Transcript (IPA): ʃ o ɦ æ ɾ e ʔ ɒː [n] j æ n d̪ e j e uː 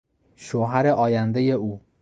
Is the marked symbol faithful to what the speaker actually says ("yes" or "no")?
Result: no